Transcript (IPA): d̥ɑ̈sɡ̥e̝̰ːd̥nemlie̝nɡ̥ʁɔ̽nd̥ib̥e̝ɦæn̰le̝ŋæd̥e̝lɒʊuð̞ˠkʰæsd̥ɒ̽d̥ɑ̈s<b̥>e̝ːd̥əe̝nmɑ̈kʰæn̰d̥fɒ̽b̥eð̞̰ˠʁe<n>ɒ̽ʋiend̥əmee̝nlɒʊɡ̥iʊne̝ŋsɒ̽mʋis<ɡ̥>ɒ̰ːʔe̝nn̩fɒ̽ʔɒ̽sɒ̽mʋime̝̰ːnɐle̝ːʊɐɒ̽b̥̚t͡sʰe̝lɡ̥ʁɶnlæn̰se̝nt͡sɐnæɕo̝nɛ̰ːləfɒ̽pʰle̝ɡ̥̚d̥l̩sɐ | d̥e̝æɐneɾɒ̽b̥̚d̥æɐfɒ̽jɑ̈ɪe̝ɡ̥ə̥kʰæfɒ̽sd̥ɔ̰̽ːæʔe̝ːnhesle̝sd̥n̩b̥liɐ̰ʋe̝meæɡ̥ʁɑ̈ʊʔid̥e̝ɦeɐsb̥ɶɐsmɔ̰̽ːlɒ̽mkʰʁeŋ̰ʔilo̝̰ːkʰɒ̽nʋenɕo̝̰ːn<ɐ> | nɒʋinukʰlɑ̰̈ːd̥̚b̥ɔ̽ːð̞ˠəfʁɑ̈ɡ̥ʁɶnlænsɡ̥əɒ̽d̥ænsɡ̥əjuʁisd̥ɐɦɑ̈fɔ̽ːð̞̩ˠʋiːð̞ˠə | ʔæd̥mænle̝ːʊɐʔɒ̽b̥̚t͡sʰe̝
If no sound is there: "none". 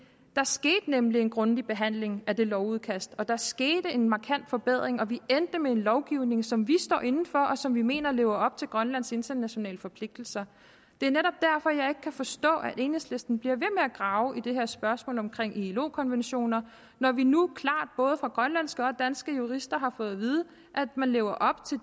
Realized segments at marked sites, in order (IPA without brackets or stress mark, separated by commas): ɡ̥, ŋ, d̥, ɐ